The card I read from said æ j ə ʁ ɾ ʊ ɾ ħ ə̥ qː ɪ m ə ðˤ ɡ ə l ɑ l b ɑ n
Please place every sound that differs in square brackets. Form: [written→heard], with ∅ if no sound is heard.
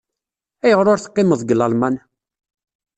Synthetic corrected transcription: æ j ə ʁ ɾ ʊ ɾ [ħ→θ] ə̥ qː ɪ m ə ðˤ ɡ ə l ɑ l [b→m] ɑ n